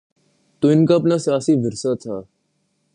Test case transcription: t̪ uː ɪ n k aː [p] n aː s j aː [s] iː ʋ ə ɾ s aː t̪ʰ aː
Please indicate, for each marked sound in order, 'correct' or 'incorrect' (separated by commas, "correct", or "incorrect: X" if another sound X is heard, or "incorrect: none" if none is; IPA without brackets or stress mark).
correct, correct